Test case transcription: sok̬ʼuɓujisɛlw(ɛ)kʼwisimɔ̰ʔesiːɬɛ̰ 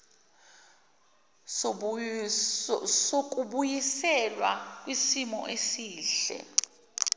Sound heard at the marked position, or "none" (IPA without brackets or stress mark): a